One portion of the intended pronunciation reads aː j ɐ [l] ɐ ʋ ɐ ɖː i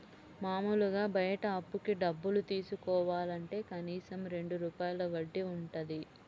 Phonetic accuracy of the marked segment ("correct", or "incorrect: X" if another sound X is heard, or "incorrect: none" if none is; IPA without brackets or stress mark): correct